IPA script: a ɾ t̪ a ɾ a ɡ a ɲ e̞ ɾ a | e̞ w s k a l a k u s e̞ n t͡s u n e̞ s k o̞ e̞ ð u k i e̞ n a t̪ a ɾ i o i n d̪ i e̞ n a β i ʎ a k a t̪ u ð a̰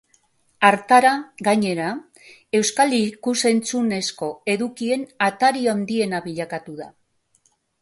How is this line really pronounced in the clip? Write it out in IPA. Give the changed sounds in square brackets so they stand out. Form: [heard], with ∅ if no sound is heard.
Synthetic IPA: a ɾ t̪ a ɾ a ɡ a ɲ e̞ ɾ a | e̞ w s k a l [i] k u s e̞ n t͡s u n e̞ s k o̞ e̞ ð u k i e̞ n a t̪ a ɾ i o [a] n d̪ i e̞ n a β i ʎ a k a t̪ u ð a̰